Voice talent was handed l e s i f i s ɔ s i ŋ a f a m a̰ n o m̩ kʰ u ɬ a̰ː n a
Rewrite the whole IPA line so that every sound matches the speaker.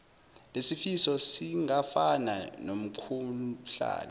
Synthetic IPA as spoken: l e s i f i s ɔ s i ŋ a f a n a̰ n o m̩ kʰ u ɬ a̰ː n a